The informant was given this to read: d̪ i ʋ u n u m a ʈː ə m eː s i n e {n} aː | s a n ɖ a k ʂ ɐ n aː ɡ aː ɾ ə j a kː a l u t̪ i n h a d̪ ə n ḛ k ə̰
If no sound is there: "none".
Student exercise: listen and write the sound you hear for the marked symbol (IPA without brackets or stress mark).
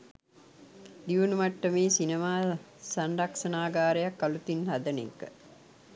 m